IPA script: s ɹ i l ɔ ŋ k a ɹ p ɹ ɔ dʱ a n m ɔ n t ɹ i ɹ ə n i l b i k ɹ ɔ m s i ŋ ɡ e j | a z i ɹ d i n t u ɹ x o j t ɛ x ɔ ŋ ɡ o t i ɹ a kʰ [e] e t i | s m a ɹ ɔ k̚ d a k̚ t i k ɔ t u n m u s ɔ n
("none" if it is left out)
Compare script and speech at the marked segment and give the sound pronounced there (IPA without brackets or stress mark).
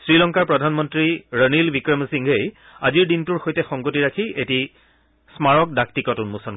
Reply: i